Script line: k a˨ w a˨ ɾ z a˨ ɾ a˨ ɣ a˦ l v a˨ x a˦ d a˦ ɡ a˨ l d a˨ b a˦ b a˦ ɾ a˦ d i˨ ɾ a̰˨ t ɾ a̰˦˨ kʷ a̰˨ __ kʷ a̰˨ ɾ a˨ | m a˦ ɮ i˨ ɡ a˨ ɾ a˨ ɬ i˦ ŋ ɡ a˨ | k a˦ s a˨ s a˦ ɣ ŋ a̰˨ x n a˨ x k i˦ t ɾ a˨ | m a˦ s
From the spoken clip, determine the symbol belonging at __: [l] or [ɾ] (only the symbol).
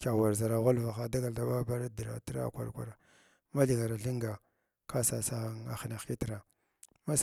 ɾ